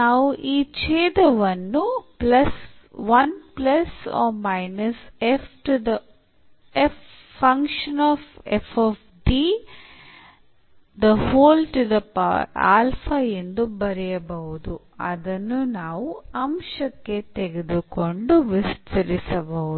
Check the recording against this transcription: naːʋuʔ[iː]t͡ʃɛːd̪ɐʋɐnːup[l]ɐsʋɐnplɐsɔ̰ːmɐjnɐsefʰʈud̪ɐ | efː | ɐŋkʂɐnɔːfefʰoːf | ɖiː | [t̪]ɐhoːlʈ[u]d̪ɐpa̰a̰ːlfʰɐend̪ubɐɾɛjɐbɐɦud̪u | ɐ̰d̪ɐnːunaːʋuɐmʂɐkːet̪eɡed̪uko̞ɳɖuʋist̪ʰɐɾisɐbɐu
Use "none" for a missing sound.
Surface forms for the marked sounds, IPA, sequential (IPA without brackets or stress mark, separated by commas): iː, l, d̪, u